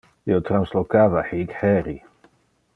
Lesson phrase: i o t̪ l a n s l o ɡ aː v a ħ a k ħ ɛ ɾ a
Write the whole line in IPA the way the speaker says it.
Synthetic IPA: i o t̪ ɾ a n s l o k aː v a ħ i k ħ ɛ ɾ i